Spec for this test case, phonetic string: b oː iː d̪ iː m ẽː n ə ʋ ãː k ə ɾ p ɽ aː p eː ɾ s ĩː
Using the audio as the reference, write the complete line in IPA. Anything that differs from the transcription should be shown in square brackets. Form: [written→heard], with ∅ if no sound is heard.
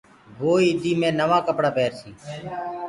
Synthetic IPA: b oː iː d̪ iː m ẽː n ə ʋ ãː k ə [ɾ→∅] p ɽ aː p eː ɾ s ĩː